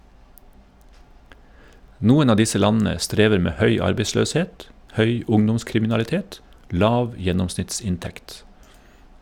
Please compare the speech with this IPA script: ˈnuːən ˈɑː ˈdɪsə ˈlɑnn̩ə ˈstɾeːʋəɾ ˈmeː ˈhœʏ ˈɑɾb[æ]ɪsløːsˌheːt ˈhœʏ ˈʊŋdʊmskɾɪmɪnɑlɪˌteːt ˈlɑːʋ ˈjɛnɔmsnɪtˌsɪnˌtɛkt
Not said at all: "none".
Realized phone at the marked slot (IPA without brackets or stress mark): e